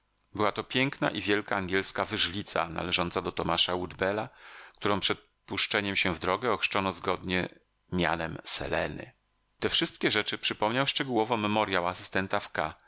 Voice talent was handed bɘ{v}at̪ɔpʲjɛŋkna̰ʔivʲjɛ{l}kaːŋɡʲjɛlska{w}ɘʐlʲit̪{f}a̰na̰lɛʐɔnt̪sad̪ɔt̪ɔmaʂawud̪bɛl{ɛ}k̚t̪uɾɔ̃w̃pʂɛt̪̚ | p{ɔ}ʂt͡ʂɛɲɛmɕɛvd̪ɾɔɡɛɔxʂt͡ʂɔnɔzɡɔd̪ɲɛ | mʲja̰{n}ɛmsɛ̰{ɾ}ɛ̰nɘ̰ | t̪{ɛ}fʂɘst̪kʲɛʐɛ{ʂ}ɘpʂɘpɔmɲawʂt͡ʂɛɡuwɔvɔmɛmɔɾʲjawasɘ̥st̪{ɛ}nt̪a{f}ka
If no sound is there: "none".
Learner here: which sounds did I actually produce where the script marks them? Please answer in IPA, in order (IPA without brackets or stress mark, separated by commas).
w, l, v, s, a, u, n, l, ɛ, t͡ʂ, ɛ, f